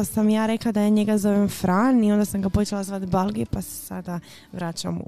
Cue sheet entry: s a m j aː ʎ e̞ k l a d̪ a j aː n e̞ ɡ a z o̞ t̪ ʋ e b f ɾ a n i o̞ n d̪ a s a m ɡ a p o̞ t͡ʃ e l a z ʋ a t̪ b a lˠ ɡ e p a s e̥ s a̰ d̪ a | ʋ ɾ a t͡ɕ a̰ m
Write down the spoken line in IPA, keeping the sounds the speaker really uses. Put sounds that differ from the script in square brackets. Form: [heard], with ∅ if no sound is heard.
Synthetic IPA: s a m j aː [ɾ] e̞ k l a d̪ a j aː [ɲ] e̞ ɡ a z o̞ [∅] ʋ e [m] f ɾ a n i o̞ n d̪ a s a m ɡ a p o̞ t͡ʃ e l a z ʋ a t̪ b a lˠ ɡ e p a s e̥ s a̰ d̪ a | ʋ ɾ a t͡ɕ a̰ m